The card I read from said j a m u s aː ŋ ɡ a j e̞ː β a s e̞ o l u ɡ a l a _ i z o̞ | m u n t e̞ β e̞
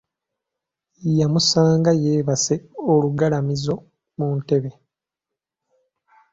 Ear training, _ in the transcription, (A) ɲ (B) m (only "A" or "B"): B